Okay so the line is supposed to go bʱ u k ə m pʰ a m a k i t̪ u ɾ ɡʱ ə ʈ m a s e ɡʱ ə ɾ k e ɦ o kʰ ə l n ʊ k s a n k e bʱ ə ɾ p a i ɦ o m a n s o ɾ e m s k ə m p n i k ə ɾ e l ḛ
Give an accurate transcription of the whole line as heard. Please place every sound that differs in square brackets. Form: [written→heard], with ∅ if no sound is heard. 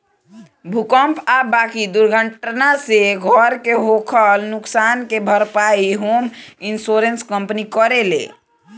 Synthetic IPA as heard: bʱ u k ə m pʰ a [m→b] a k i [t̪→d̪] u ɾ ɡʱ ə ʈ [m→n] a s e ɡʱ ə ɾ k e ɦ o kʰ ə l n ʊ k s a n k e bʱ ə ɾ p a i ɦ o m [a→i] n s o ɾ e [m→n] s k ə m p n i k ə ɾ e l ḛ